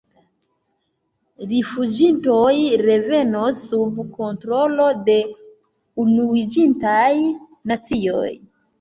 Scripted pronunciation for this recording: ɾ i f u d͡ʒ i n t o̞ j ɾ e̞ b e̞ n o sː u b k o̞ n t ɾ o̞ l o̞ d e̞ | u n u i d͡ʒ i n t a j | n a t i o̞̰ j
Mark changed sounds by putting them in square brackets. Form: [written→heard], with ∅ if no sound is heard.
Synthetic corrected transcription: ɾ i f u d͡ʒ i n t o̞ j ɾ e̞ [b→v] e̞ n o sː u b k o̞ n t ɾ o̞ l o̞ d e̞ | u n u i d͡ʒ i n t a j | n a [t→t͡s] i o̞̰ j

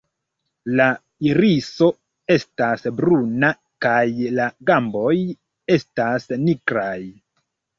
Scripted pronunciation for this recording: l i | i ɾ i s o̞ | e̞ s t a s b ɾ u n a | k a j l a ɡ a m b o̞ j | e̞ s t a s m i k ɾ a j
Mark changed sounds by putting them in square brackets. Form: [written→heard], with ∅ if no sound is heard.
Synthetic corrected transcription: l [i→a] | i ɾ i s o̞ | e̞ s t a s b ɾ u n a | k a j l a ɡ a m b o̞ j | e̞ s t a s [m→n] i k ɾ a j

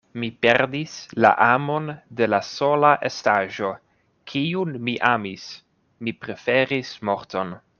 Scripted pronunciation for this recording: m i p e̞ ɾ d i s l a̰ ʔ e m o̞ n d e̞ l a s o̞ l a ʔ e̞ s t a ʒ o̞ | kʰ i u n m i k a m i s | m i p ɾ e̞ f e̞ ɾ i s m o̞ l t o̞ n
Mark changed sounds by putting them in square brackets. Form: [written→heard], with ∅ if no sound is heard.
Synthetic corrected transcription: m i p e̞ ɾ d i s l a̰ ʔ [e→a] m o̞ n d e̞ l a s o̞ l a ʔ e̞ s t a ʒ o̞ | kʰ i u n m i [k→ʔ] a m i s | m i p ɾ e̞ f e̞ ɾ i s m o̞ [l→ɾ] t o̞ n

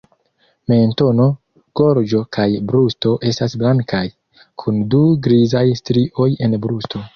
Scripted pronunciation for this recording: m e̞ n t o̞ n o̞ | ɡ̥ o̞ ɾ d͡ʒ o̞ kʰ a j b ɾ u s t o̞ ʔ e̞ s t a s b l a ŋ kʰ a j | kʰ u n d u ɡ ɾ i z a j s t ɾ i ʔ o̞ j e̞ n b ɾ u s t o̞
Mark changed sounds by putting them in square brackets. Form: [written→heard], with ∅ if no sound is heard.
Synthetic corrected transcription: m e̞ n t o̞ n o̞ | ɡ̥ o̞ ɾ d͡ʒ o̞ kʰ a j b ɾ u s t o̞ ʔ e̞ s t a s b l a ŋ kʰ a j | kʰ u n d u ɡ ɾ i z a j s t ɾ i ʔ o̞ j e̞ n b ɾ u s t o̞

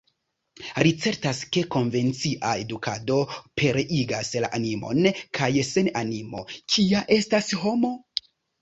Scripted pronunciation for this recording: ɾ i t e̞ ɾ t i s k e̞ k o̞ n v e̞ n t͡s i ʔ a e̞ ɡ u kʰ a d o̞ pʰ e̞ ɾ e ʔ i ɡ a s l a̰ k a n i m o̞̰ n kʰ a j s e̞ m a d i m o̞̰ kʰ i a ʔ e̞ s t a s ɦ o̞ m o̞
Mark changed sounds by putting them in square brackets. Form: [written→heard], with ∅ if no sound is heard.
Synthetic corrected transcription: ɾ i [t→t͡s] e̞ ɾ t [i→a] s k e̞ k o̞ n v e̞ n t͡s i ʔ a e̞ [ɡ→d] u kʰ a d o̞ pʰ e̞ ɾ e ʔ i ɡ a s l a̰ [k→ʔ] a n i m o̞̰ n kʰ a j s e̞ [m→n] a [d→n] i m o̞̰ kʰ i a ʔ e̞ s t a s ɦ o̞ m o̞

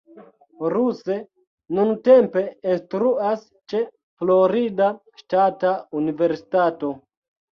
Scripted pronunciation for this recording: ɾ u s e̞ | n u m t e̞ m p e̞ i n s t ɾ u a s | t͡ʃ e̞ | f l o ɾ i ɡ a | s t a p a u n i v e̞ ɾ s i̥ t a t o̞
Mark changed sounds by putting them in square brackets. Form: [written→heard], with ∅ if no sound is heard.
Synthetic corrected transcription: ɾ u s e̞ | n u [m→n] t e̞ m p e̞ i n s t ɾ u a s | t͡ʃ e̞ | f l o ɾ i [ɡ→d] a | [s→ʃ] t a [p→t] a u n i v e̞ ɾ s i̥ t a t o̞

